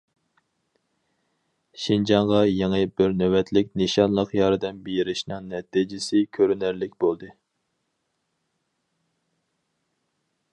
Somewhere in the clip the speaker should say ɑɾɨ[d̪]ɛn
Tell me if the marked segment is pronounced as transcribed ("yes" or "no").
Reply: yes